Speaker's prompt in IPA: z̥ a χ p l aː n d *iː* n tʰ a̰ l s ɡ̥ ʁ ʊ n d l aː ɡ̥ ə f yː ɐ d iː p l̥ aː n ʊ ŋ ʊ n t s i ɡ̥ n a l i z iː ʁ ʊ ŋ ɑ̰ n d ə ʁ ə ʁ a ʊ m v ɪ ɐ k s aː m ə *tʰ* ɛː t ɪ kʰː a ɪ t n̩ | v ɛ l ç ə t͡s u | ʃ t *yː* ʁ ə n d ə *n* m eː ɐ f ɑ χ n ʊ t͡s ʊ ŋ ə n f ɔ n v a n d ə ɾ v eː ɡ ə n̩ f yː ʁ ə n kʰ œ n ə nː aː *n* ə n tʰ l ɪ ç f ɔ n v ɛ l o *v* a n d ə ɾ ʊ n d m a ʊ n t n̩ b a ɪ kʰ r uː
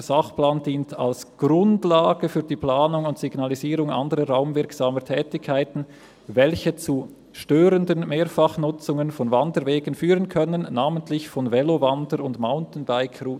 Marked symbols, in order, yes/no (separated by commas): yes, yes, no, yes, no, yes